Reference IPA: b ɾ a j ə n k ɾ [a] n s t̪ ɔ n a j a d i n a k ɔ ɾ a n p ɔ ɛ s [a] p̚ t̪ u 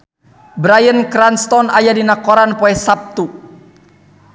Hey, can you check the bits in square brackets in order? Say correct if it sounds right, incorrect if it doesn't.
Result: correct, correct

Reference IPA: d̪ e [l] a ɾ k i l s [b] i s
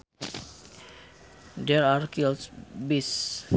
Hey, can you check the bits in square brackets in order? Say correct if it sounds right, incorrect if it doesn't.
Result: incorrect: ɾ, correct

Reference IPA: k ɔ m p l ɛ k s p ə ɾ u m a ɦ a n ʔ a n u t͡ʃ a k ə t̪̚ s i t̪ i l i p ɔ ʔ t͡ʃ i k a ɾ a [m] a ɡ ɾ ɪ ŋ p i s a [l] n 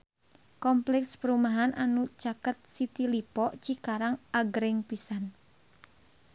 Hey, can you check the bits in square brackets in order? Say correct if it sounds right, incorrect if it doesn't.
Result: incorrect: ŋ, incorrect: none

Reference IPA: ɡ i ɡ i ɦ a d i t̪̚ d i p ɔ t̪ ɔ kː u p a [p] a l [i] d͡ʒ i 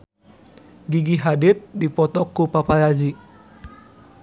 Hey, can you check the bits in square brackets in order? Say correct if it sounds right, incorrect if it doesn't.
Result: correct, incorrect: a

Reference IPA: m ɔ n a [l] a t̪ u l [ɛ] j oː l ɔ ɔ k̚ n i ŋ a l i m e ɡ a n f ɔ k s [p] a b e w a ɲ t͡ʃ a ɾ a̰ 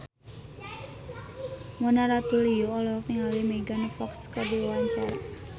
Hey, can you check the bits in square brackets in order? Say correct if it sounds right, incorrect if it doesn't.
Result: incorrect: ɾ, incorrect: i, incorrect: k

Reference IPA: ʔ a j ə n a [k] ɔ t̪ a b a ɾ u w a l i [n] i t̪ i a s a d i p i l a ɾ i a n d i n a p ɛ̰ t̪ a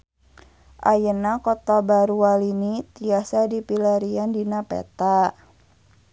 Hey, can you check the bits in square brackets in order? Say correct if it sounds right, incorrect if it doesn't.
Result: correct, correct

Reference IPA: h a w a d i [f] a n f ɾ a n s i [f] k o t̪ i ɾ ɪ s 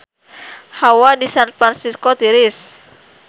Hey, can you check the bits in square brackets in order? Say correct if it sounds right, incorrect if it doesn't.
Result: incorrect: s, incorrect: s

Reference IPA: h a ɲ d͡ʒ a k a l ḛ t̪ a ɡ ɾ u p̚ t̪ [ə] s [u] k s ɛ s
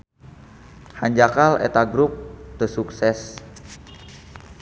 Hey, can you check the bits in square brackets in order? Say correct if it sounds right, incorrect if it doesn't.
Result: correct, correct

